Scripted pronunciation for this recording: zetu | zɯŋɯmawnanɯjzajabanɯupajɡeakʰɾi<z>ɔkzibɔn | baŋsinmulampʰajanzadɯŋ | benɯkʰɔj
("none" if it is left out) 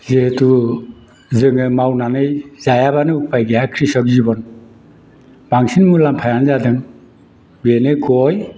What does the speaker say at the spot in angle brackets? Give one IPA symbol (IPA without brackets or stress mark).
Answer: s